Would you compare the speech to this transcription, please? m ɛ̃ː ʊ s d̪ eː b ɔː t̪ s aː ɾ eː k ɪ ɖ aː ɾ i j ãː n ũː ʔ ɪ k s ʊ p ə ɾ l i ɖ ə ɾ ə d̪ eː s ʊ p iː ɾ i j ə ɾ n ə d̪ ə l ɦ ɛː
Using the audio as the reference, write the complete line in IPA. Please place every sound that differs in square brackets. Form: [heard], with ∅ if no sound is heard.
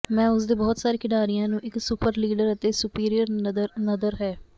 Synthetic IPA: m ɛ̃ː ʊ s d̪ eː b ɔː t̪ s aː ɾ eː k ɪ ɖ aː ɾ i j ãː n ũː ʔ ɪ k s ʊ p ə ɾ l [iː] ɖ ə ɾ ə [t̪] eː s ʊ p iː ɾ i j ə ɾ n ə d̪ ə [ɾ] ɦ ɛː